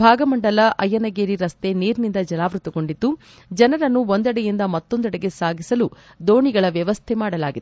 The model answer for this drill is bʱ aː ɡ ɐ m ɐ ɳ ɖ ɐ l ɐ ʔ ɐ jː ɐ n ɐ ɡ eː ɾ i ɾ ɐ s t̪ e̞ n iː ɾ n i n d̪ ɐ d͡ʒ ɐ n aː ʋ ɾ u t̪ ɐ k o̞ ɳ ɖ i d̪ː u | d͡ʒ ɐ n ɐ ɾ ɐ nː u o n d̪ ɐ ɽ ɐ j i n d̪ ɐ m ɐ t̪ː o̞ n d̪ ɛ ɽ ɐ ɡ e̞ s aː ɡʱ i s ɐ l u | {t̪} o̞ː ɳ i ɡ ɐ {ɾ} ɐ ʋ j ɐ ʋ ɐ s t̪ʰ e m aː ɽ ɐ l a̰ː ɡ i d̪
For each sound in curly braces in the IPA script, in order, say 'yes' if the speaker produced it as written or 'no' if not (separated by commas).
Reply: no, no